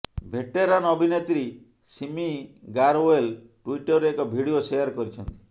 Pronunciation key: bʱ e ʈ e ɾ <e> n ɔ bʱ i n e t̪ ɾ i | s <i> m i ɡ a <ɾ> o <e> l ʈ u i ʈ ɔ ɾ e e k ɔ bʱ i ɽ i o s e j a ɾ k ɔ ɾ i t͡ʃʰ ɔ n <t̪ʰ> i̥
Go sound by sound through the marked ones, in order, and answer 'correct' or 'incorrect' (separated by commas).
incorrect, correct, correct, correct, incorrect